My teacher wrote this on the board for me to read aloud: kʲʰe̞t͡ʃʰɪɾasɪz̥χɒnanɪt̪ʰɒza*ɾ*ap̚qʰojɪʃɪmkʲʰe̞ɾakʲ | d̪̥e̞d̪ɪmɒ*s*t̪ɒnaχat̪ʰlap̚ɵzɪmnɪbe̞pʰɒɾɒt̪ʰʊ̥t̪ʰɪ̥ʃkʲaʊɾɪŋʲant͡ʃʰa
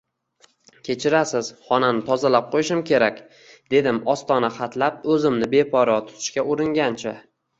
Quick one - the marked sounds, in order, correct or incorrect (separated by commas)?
incorrect, correct